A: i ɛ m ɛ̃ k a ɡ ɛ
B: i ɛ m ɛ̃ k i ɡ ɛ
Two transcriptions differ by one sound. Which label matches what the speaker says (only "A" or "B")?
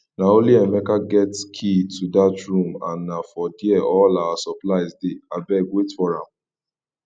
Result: A